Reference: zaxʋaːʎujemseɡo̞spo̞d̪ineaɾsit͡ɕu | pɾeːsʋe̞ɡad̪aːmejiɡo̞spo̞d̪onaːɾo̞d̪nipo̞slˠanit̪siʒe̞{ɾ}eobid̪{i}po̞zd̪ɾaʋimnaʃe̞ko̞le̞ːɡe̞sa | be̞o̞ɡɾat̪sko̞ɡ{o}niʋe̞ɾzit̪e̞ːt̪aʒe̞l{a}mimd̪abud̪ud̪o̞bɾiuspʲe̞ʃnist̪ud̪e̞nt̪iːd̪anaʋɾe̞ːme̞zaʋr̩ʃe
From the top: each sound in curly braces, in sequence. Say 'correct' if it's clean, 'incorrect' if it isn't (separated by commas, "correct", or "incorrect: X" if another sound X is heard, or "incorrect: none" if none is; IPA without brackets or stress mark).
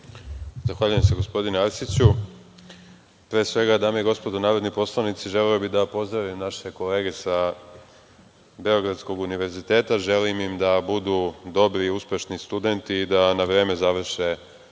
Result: incorrect: l, incorrect: a, incorrect: u, incorrect: i